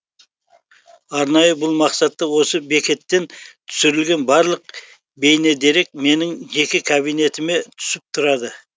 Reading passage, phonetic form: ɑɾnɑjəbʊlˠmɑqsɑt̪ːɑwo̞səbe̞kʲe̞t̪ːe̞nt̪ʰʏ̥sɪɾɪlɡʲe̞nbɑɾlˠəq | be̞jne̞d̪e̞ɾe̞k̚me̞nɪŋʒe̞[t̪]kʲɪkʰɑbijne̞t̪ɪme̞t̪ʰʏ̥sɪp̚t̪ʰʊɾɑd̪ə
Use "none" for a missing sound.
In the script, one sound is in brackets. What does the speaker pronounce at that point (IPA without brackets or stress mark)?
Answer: none